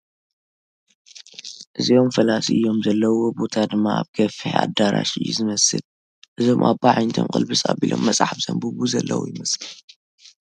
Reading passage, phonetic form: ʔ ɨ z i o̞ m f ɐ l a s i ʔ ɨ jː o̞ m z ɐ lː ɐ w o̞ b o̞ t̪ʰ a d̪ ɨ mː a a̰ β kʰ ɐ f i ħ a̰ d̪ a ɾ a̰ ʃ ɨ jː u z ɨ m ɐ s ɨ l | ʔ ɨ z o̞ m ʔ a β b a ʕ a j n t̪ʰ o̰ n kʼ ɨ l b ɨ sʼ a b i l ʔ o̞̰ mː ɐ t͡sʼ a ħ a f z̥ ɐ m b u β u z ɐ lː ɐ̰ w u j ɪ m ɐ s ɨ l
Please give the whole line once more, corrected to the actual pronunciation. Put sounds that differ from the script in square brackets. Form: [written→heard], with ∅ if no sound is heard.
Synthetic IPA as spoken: ʔ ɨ z i o̞ m f ɐ l a s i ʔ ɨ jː o̞ m z ɐ lː ɐ w o̞ b o̞ t̪ʰ a d̪ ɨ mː a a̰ β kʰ ɐ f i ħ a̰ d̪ a ɾ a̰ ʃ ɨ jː u z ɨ m ɐ s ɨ l | ʔ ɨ z o̞ m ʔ a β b a ʕ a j n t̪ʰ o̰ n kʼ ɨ l b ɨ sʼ a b i l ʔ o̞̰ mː ɐ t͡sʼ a ħ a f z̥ ɐ m b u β u z ɐ lː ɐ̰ w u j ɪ m ɐ s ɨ l